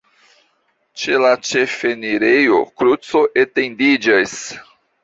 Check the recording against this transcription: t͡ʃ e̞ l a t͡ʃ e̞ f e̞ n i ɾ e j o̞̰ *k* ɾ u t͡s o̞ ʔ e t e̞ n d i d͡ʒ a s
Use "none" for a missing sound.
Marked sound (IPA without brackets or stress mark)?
k